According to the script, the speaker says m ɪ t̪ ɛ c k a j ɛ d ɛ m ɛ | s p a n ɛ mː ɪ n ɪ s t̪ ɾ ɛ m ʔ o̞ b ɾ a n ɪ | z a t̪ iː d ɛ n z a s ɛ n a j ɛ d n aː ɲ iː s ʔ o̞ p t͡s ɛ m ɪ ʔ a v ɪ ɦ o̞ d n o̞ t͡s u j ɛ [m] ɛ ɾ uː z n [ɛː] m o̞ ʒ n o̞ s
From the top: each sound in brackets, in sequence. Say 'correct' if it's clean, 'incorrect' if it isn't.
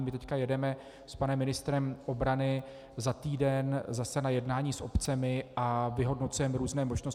correct, correct

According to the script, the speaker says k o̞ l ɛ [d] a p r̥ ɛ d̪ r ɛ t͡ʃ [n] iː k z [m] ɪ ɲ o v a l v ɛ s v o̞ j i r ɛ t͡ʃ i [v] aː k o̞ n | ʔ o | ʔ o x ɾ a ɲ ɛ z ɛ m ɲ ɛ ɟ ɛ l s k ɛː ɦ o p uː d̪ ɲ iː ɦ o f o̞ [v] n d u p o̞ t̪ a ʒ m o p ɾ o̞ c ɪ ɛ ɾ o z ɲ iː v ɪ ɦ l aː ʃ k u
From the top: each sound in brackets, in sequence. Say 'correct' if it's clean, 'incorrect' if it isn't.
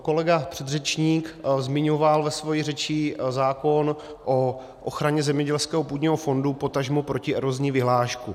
incorrect: ɡ, incorrect: ɲ, correct, incorrect: z, incorrect: none

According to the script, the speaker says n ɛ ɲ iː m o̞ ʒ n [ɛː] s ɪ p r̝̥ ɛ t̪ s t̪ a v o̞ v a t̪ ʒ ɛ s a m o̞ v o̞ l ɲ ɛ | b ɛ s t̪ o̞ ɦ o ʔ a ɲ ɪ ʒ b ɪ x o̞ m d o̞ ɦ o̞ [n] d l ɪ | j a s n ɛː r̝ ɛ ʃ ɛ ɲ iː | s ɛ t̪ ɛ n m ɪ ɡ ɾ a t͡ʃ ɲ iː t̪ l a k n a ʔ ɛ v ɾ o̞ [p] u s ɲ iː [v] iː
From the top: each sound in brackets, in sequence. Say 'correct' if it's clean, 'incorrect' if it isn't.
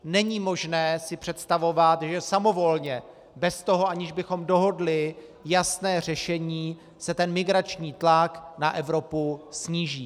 correct, incorrect: none, correct, incorrect: ʒ

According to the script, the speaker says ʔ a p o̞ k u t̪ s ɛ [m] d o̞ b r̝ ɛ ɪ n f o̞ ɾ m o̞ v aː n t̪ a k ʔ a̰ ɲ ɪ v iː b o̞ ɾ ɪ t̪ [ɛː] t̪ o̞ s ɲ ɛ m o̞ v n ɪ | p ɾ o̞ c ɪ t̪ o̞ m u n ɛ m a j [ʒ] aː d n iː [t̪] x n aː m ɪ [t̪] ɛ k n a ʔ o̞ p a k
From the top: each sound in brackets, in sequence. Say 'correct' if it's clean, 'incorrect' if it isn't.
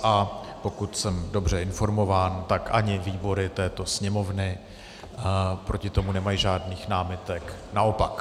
correct, correct, correct, incorrect: none, correct

